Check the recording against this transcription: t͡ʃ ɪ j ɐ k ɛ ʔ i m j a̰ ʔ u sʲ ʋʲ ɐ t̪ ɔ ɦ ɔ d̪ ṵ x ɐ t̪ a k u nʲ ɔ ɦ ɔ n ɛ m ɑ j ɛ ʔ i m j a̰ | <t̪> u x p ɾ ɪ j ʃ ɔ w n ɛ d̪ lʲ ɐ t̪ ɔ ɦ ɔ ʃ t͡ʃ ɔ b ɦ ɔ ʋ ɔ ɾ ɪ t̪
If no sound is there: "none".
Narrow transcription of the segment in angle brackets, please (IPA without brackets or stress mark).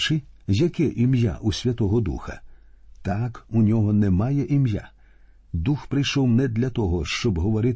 d̪